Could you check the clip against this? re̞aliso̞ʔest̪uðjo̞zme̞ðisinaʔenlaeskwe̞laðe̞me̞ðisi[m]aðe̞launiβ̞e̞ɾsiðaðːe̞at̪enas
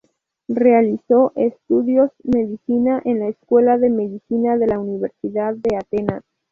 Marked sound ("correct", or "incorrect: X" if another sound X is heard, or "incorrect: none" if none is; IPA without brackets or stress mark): incorrect: n